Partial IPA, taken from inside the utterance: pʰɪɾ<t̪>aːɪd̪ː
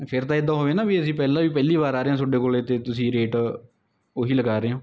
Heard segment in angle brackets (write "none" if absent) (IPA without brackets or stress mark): t̪